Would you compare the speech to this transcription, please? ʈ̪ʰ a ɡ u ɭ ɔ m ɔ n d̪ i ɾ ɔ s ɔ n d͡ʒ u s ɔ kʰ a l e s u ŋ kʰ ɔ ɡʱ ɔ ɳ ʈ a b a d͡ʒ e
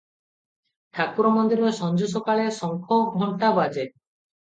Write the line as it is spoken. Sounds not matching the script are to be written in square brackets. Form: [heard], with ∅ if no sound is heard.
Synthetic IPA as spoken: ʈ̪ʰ a [k] u [ɾ] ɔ m ɔ n d̪ i ɾ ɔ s ɔ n d͡ʒ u s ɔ [k] a [ɭ] e s [ɔ] ŋ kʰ ɔ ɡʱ ɔ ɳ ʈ a b a d͡ʒ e